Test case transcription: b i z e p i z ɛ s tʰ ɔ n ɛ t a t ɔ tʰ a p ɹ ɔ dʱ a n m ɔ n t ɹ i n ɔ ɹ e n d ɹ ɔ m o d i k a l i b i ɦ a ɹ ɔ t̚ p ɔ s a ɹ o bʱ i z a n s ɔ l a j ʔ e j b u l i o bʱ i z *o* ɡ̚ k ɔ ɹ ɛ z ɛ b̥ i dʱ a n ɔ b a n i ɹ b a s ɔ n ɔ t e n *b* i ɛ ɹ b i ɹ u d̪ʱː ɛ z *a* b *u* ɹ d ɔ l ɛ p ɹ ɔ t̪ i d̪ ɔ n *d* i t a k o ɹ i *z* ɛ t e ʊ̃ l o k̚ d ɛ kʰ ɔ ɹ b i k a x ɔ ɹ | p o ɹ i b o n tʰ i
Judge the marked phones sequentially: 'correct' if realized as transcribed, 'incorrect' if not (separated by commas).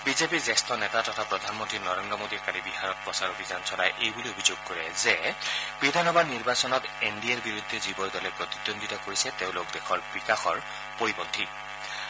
correct, incorrect, incorrect, incorrect, correct, incorrect